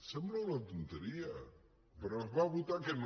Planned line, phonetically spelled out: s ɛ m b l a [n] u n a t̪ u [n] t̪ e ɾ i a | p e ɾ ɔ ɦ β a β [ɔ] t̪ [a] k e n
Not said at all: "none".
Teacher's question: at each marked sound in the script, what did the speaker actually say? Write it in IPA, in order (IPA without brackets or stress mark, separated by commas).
none, n, u, a